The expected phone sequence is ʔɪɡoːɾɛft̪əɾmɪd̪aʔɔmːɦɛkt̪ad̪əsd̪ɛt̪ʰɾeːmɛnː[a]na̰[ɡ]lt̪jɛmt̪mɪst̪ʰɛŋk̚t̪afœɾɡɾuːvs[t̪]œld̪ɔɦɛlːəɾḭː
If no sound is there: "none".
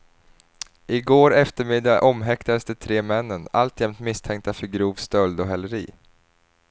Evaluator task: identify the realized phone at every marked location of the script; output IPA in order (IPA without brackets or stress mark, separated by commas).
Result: ə, none, t̪